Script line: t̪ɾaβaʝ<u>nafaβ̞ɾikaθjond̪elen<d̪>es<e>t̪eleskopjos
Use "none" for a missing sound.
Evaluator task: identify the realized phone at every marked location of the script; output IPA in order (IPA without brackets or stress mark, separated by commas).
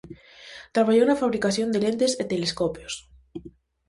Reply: o, t̪, e